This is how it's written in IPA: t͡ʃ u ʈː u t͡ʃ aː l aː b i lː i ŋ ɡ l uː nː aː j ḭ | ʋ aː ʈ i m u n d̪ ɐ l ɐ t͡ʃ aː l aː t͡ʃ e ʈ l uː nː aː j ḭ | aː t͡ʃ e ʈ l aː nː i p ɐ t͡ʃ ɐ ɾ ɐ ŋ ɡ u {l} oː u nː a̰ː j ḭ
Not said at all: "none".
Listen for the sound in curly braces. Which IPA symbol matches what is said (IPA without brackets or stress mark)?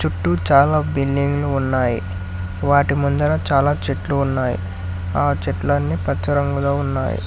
l